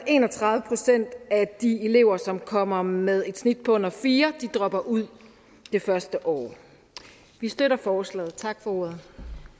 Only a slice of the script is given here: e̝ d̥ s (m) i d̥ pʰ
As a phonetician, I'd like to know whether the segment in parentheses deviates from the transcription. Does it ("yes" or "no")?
yes